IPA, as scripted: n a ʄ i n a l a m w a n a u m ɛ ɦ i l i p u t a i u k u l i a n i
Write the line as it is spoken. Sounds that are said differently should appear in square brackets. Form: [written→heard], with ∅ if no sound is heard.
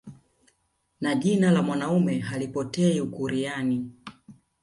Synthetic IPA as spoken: n a ʄ i n a l a m w a n a u m ɛ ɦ [i→a] l i p [u→ɔ] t [a→ɛ] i u k u [l→ɾ] i a n i